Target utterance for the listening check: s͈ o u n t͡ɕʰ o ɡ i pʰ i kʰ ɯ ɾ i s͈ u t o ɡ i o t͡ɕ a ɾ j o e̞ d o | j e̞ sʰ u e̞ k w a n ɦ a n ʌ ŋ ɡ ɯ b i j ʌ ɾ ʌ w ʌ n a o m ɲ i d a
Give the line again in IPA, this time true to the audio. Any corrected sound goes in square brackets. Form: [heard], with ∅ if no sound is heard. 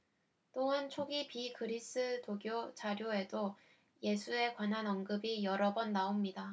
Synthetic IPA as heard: [t͈] o [ɯ] n t͡ɕʰ o ɡ i [p] i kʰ ɯ ɾ i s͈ [ɯ] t o ɡ [j] o t͡ɕ a ɾ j o e̞ d o | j e̞ sʰ u e̞ k w a n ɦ a n ʌ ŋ ɡ ɯ b i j ʌ ɾ ʌ [b] ʌ [nː] a o m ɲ i d a